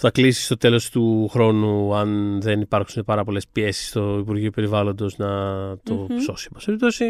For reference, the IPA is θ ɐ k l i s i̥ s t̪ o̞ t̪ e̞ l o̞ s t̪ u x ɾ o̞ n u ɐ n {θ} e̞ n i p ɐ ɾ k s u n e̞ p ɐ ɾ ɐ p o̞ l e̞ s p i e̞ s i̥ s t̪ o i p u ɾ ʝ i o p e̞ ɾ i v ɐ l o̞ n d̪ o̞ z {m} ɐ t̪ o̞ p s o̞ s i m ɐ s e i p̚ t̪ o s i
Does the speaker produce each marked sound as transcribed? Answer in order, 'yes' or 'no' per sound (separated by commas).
no, no